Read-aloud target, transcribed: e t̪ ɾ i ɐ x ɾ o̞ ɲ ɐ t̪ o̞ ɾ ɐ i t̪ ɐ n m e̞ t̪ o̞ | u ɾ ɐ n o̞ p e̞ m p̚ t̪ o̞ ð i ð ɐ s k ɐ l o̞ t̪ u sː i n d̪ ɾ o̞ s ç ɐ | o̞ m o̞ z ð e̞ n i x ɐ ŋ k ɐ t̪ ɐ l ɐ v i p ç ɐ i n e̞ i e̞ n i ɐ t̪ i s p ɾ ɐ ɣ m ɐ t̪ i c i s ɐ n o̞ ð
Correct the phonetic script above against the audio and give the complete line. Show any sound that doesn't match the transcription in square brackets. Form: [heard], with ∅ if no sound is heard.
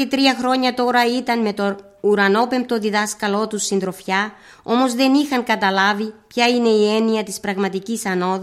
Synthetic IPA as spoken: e t̪ ɾ i ɐ x ɾ o̞ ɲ ɐ t̪ o̞ ɾ ɐ i t̪ ɐ n m e̞ t̪ o̞ | u ɾ ɐ n o̞ p e̞ m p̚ t̪ o̞ ð i ð ɐ s k ɐ l o̞ t̪ u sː i n d̪ ɾ o̞ [f] ç ɐ | o̞ m o̞ z ð e̞ n i x ɐ ŋ k ɐ t̪ ɐ l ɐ v i p ç ɐ i n e̞ i e̞ n i ɐ t̪ i s p ɾ ɐ ɣ m ɐ t̪ i c i s ɐ n o̞ ð